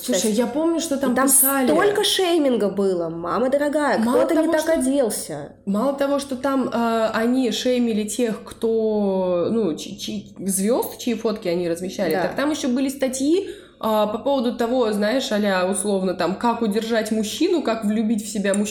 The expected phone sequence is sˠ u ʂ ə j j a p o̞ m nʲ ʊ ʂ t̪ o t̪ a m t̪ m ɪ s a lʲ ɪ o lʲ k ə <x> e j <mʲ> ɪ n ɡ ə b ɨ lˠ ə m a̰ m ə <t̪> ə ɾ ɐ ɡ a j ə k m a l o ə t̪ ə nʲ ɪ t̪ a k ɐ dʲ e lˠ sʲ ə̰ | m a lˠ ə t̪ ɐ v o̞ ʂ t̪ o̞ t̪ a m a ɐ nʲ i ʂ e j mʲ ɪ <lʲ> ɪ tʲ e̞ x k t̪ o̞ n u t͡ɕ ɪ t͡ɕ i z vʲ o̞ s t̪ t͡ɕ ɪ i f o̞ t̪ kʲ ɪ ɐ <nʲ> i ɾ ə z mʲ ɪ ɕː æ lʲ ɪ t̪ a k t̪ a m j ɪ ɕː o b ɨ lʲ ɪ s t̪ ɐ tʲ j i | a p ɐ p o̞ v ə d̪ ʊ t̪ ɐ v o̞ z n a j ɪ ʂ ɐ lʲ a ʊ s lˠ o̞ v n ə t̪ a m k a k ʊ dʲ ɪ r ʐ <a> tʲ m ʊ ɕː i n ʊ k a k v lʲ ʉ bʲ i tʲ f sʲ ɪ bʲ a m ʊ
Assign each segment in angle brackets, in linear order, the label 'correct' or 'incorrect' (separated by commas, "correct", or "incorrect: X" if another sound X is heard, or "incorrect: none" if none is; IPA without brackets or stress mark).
incorrect: ʂ, correct, incorrect: d̪, correct, correct, correct